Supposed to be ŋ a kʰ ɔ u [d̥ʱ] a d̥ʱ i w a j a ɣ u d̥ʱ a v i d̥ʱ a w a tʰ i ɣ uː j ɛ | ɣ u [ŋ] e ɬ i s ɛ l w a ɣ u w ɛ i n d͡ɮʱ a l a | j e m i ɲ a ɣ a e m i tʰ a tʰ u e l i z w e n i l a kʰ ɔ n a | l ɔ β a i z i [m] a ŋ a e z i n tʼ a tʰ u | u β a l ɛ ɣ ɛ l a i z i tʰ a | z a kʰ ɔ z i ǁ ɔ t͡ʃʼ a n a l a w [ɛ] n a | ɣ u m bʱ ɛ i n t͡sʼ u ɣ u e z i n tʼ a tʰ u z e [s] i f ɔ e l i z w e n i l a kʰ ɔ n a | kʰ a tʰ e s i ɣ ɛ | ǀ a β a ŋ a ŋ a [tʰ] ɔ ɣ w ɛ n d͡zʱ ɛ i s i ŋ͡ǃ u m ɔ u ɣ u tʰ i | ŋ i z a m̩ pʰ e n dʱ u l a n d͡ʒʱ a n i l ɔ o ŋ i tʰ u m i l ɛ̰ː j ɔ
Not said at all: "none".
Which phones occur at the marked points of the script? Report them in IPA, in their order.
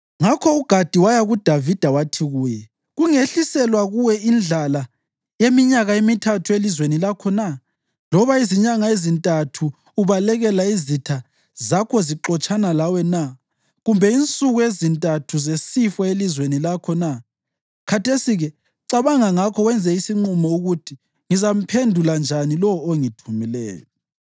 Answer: ɡ̥ʱ, ŋ, ɲ, ɛ, s, kʰ

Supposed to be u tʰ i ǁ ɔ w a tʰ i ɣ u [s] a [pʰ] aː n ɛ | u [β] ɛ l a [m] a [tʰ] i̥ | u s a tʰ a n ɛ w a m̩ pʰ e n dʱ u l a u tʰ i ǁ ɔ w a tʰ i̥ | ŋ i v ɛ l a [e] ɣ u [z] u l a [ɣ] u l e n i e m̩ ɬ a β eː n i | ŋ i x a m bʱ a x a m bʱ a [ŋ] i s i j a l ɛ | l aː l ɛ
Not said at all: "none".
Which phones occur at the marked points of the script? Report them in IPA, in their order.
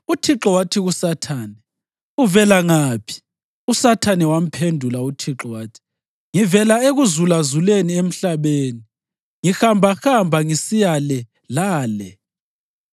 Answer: s, tʰ, v, ŋ, pʰ, e, z, z, ŋ

